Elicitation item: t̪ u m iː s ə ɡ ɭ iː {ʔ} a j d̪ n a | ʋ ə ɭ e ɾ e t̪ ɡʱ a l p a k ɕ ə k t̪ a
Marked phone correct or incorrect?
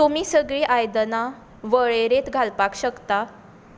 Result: correct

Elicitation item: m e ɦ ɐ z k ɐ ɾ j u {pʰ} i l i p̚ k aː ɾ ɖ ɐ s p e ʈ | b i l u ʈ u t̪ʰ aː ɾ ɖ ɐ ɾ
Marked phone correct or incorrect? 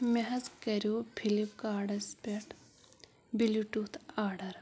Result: correct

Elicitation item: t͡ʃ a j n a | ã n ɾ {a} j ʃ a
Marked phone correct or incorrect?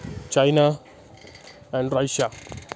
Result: correct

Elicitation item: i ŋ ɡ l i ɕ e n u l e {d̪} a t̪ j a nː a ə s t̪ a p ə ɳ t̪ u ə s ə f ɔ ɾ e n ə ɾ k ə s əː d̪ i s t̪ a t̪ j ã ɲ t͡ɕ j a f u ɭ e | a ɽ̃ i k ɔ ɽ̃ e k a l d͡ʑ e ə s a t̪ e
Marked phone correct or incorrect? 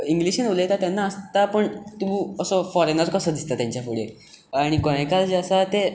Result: incorrect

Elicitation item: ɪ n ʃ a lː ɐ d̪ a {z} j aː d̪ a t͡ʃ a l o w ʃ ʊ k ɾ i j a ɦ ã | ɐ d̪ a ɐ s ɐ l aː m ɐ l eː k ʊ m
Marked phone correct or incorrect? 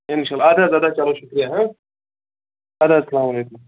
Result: correct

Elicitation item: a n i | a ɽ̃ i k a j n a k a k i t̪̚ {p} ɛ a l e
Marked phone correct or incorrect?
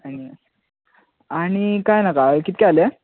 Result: incorrect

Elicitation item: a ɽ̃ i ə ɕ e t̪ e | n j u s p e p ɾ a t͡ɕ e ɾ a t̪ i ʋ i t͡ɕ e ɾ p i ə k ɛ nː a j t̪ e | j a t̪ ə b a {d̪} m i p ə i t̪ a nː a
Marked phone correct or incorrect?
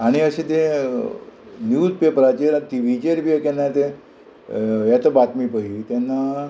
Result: incorrect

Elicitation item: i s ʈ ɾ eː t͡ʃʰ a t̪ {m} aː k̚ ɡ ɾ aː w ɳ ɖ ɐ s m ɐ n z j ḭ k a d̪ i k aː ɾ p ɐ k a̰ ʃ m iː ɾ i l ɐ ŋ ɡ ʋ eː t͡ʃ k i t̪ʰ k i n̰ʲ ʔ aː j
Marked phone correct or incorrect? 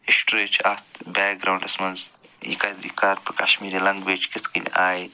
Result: incorrect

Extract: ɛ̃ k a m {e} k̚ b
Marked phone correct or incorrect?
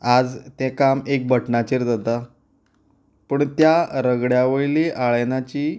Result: correct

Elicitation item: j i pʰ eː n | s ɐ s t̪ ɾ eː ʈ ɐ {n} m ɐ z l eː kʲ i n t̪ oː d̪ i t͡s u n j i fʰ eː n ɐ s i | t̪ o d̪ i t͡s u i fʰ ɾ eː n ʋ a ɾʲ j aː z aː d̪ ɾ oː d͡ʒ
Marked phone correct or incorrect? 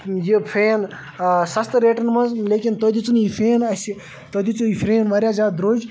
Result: correct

